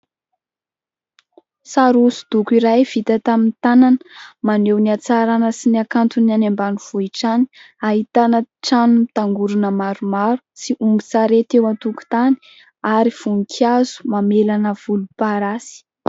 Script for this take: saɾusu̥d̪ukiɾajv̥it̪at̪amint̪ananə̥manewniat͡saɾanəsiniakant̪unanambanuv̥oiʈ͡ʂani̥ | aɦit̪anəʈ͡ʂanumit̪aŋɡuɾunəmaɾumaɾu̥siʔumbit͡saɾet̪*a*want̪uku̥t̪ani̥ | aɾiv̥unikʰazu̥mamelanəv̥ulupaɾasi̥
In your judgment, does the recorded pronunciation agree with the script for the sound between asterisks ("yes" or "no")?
no